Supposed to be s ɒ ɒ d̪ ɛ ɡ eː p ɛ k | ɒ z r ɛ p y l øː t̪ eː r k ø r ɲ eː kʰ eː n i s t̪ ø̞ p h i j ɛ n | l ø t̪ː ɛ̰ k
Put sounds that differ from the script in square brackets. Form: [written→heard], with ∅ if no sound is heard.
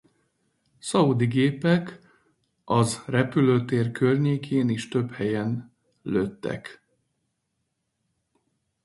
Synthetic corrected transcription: s ɒ [ɒ→u] d̪ [ɛ→i] ɡ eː p ɛ k | ɒ z r ɛ p y l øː t̪ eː r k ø r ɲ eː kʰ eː n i [s→ʃ] t̪ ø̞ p h [i→ɛ] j ɛ n | l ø t̪ː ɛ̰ k